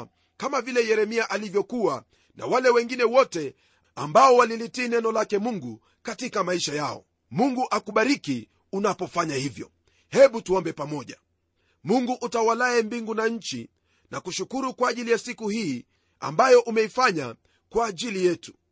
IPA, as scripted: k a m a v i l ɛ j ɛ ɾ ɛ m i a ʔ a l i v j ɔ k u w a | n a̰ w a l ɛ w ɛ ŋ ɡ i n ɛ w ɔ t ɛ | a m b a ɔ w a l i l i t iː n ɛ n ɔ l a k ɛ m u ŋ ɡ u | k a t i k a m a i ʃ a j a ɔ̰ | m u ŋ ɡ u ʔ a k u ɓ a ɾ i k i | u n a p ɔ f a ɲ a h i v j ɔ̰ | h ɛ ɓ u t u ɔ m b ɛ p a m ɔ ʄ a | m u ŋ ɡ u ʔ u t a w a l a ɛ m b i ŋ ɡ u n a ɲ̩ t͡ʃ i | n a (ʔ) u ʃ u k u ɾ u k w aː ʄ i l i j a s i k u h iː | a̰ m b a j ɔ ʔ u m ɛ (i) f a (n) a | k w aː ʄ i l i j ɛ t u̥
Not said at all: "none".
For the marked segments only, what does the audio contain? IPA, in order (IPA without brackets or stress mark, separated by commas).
k, i, ɲ